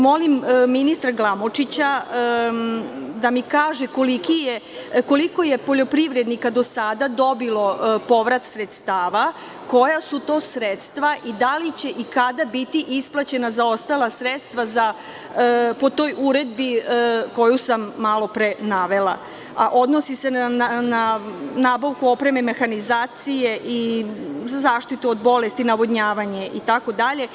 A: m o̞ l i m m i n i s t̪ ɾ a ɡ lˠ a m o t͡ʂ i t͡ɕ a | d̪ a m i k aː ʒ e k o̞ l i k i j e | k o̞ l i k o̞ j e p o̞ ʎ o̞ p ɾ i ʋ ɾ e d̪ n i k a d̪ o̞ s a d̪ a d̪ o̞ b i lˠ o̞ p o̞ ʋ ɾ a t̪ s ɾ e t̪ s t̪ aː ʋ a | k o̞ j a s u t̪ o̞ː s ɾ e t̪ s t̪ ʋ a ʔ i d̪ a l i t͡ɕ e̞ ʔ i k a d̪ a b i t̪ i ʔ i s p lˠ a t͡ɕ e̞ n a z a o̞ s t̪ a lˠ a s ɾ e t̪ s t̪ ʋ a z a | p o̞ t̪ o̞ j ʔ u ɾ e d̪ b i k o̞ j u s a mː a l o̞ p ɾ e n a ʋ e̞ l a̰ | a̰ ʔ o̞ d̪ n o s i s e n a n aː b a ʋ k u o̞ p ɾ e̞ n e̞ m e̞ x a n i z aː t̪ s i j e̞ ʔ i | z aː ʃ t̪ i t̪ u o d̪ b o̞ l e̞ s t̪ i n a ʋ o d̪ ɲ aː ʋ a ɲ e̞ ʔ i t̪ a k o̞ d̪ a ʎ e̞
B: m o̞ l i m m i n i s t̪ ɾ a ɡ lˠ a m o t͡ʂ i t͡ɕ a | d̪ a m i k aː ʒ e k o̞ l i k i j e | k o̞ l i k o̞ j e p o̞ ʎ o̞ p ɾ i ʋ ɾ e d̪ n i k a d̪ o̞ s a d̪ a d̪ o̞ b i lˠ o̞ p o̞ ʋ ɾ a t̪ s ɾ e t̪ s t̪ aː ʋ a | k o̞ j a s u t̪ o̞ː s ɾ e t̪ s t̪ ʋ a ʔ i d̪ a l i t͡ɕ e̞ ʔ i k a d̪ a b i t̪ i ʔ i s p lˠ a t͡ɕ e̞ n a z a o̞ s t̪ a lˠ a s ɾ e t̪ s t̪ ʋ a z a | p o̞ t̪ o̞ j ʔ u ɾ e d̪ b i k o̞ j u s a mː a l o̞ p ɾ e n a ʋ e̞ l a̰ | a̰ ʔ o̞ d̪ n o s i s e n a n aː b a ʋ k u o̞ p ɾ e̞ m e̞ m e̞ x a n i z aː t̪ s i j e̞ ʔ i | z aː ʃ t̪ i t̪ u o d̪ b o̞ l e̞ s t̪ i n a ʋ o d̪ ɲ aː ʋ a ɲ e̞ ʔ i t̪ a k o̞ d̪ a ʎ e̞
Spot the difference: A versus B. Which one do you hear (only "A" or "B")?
B